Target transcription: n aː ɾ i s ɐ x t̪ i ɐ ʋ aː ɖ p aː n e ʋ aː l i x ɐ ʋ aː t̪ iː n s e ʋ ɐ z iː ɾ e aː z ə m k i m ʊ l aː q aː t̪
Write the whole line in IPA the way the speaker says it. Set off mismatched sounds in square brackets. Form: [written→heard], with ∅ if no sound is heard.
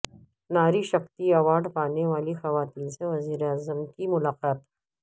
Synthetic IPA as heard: n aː ɾ i [s→ʃ] ɐ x t̪ i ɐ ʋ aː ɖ p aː n e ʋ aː l i x ɐ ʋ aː t̪ iː n s e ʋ ɐ z iː ɾ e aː z ə m k i m ʊ l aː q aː t̪